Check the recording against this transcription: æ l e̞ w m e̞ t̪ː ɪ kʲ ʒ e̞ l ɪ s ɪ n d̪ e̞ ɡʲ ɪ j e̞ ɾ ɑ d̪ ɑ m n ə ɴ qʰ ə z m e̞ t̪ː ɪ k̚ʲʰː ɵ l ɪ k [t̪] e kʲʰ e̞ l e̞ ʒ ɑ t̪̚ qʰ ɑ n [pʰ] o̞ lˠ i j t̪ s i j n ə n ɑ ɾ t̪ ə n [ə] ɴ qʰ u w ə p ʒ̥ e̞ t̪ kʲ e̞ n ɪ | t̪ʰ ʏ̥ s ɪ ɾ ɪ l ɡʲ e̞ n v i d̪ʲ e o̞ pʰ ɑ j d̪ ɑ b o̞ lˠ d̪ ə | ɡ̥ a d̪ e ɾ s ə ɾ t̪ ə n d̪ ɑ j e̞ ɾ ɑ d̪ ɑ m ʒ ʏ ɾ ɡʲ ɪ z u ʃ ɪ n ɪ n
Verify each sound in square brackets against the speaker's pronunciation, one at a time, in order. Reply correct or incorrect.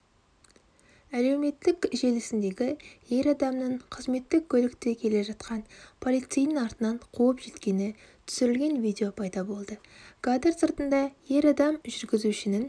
correct, correct, incorrect: ɑ

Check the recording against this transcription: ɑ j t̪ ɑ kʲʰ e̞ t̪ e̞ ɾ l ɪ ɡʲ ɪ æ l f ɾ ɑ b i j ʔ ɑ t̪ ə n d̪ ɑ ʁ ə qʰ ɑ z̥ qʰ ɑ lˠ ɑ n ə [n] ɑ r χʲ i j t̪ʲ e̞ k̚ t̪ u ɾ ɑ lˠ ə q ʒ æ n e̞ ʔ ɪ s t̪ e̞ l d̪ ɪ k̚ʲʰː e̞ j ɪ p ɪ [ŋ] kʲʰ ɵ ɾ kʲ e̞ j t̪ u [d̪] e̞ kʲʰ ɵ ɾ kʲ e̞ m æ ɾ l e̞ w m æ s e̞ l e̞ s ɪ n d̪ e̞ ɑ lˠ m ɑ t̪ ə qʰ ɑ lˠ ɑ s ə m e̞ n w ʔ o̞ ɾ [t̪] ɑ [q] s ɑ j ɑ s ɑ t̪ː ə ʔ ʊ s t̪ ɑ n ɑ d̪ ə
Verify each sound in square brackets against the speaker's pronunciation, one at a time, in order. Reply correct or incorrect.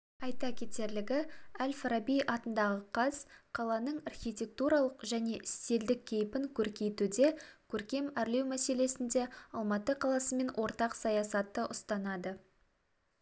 incorrect: ɴ, correct, correct, correct, correct

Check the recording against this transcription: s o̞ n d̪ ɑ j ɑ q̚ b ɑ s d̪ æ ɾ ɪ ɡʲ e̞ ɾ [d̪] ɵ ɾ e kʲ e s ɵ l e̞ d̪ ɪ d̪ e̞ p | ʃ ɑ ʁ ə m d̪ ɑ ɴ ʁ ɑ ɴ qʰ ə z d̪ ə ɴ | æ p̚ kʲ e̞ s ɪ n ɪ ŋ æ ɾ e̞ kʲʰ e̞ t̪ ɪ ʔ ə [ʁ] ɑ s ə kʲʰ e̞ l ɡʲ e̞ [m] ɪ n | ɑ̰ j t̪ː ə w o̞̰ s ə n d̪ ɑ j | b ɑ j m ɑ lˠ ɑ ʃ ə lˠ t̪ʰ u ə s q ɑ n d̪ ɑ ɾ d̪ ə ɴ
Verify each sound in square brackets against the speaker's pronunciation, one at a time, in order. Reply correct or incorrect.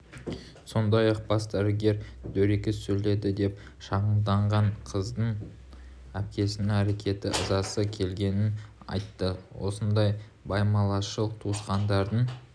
correct, incorrect: z, incorrect: n

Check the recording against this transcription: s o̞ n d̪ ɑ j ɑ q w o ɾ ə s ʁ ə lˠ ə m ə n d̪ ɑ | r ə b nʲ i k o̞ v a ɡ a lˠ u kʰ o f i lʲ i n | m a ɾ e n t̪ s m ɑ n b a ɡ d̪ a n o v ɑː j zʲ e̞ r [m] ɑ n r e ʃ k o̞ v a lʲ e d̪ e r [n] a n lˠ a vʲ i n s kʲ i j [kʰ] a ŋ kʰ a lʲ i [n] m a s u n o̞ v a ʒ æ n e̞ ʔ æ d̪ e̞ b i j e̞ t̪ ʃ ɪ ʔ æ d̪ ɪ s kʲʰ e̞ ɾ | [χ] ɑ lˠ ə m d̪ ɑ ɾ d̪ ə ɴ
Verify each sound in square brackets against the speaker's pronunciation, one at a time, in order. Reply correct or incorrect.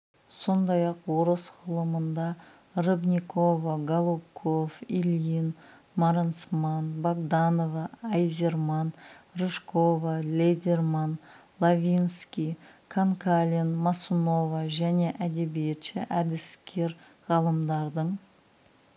correct, incorrect: m, correct, correct, incorrect: ʁ

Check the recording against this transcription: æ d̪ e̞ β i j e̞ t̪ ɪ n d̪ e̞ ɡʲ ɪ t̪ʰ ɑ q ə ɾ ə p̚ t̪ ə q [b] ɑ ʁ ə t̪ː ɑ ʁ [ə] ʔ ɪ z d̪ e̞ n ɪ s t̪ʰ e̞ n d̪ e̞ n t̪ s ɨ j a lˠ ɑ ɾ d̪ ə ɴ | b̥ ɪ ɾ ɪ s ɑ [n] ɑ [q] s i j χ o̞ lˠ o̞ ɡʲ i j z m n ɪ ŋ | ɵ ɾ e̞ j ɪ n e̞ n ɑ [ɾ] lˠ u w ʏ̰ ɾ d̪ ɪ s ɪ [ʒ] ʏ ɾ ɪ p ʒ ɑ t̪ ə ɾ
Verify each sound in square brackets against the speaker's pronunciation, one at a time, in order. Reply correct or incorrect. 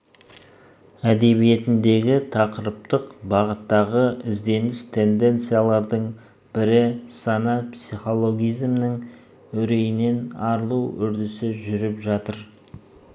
correct, correct, correct, incorrect: p, correct, correct

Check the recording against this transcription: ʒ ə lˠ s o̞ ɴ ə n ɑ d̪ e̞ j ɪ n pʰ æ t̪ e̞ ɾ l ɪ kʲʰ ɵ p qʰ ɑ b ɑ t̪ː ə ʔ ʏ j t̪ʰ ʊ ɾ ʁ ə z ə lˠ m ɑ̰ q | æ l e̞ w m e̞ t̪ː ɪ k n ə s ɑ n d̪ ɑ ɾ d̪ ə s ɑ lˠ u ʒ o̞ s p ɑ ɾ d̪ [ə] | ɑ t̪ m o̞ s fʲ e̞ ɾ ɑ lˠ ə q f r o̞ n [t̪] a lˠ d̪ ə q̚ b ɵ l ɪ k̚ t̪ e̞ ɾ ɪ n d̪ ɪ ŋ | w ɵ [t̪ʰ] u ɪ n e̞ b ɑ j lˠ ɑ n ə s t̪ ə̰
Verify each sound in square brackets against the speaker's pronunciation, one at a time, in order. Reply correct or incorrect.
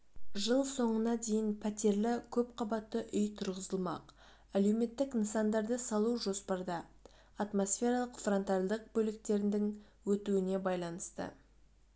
incorrect: ɑ, correct, incorrect: t̪

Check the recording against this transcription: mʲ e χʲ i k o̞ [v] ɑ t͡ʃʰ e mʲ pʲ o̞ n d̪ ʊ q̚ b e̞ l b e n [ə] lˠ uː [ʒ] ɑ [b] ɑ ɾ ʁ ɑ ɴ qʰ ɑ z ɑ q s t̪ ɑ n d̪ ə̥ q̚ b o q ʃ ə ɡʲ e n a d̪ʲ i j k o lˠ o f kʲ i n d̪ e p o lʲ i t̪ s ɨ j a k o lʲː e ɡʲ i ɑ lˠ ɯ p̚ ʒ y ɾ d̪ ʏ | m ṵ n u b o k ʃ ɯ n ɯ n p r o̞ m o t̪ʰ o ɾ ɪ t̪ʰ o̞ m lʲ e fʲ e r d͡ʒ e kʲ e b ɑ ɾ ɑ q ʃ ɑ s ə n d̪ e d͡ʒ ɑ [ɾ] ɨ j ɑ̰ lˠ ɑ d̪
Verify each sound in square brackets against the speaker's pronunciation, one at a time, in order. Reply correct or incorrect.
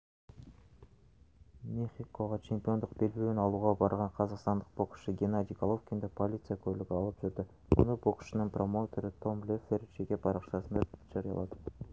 incorrect: ʁ, incorrect: ɑ, incorrect: ʁ, correct, correct

